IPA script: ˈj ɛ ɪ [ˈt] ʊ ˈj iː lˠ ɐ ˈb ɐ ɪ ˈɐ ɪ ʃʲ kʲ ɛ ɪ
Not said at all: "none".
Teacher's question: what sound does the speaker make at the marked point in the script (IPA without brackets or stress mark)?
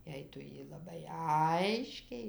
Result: t